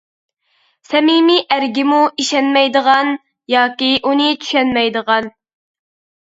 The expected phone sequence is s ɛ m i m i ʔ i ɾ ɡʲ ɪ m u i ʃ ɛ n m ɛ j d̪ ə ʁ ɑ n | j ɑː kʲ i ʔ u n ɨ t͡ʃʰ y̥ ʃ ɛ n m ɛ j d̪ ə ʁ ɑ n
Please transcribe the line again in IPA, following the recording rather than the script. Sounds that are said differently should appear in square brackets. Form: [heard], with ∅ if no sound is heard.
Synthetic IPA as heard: s ɛ m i m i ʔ [æ] ɾ ɡʲ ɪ m u i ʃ ɛ n m ɛ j d̪ ə ʁ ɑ n | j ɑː kʲ i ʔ u n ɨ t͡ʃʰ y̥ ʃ ɛ n m ɛ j d̪ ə ʁ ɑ n